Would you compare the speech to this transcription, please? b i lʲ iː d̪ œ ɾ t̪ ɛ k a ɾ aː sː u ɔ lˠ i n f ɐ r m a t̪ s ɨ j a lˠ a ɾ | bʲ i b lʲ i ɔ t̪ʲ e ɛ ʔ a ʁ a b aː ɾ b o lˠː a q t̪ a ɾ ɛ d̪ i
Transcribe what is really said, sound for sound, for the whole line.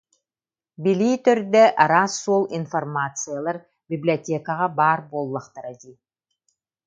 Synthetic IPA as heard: b i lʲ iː t̪ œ ɾ d̪ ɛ ʔ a ɾ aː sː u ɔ lˠ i n f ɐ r m a t̪ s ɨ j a lˠ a ɾ | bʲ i b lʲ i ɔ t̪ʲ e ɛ k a ʁ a b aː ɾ b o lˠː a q t̪ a ɾ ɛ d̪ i